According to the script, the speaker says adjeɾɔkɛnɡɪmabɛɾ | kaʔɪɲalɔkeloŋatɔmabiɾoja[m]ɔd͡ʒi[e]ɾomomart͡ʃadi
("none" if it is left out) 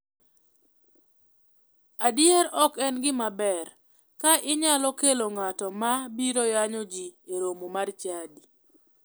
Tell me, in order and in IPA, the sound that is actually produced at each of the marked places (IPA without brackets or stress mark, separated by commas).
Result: ɲ, e